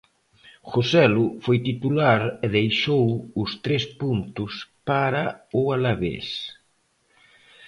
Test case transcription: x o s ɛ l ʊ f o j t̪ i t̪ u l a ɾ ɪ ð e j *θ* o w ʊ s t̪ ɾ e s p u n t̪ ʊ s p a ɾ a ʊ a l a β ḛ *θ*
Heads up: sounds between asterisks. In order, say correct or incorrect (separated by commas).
incorrect, incorrect